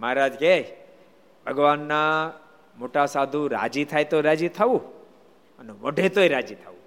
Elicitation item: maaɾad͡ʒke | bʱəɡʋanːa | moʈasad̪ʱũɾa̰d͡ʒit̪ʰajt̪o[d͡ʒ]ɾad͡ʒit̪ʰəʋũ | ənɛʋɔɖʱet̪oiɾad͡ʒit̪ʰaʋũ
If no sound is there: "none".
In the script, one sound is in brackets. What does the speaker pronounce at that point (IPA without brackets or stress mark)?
none